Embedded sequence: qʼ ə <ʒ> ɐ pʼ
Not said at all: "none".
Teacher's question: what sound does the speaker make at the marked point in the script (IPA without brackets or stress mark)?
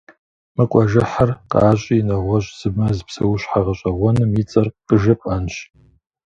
ʒ